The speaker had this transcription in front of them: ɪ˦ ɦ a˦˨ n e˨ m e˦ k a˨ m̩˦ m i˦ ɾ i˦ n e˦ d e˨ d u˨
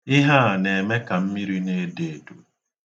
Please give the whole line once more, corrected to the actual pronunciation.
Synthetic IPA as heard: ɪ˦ ɦ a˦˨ n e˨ m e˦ k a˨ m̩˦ m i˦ ɾ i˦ n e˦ d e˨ d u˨